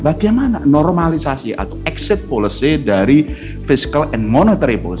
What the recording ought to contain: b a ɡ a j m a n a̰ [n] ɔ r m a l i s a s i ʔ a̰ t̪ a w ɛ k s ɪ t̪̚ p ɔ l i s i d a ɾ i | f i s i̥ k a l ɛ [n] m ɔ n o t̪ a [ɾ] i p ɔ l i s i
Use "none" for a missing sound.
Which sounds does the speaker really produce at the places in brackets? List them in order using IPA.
n, n, ɾ

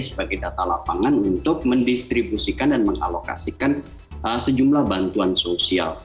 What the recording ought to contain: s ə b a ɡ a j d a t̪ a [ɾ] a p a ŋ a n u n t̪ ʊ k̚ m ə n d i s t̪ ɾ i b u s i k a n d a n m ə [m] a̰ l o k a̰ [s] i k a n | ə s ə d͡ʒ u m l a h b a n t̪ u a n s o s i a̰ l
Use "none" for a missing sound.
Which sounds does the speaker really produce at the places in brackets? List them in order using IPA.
l, ŋ, s

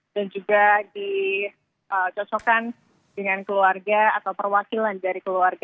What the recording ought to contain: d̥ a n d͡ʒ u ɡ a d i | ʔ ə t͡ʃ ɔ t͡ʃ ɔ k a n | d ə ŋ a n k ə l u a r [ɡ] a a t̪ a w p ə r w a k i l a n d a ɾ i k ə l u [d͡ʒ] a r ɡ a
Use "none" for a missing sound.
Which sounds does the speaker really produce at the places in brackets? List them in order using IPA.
ɡ, none

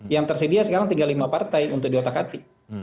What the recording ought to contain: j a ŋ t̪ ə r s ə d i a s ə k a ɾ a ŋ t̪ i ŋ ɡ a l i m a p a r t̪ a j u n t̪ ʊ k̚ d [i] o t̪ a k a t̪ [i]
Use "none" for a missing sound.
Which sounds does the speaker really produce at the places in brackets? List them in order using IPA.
i, i

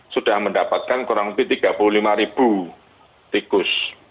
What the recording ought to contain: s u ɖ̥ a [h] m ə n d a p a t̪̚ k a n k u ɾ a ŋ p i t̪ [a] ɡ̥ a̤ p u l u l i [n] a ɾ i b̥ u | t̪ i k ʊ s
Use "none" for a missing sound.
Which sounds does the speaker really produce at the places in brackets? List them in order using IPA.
h, i, m

